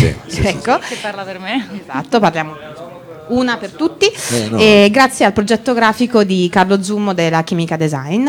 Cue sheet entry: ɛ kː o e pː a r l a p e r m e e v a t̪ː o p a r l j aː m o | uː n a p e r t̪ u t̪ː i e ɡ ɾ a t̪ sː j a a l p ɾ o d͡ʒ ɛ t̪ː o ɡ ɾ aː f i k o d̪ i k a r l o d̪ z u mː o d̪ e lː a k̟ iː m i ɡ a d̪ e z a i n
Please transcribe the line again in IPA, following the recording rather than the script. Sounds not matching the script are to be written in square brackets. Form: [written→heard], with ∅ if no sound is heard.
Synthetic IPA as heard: ɛ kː o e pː a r l a p e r m e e [v→z] a t̪ː o p a r l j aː m o | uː n a p e r t̪ u t̪ː i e ɡ ɾ a t̪ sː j [a→e] a l p ɾ o d͡ʒ ɛ t̪ː o ɡ ɾ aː f i k o d̪ i k a r l o d̪ z u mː o d̪ e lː a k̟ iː m i [ɡ→k] a d̪ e z a [i→j] n